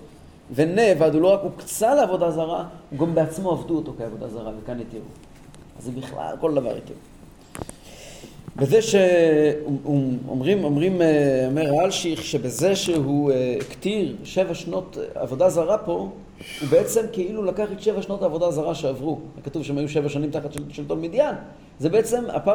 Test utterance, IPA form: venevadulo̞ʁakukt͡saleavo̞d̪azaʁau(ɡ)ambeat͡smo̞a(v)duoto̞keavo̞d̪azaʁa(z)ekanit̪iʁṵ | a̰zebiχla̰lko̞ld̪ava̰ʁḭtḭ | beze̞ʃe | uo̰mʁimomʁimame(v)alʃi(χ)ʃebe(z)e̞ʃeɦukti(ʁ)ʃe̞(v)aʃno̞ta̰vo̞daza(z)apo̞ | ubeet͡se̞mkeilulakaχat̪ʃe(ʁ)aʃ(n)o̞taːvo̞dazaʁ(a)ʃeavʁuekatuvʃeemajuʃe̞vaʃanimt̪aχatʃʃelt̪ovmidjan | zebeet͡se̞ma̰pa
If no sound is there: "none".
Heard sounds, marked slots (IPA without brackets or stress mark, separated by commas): ɡ, v, v, ʁ, χ, z, ʁ, v, ʁ, v, n, a